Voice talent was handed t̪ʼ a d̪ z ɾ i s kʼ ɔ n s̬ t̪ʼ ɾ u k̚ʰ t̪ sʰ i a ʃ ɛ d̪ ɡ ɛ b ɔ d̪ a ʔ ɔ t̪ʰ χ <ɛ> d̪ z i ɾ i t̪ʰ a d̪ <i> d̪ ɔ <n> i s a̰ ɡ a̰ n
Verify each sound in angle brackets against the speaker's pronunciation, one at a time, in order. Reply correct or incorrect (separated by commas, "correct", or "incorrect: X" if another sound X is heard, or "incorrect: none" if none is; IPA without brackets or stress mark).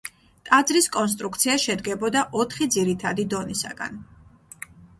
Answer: incorrect: i, correct, correct